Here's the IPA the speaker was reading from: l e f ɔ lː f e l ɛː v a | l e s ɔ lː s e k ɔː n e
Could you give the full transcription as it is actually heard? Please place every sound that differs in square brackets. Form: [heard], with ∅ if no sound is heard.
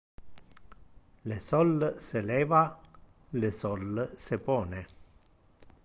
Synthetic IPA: l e [s] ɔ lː [s] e l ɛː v a | l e s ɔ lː s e [p] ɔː n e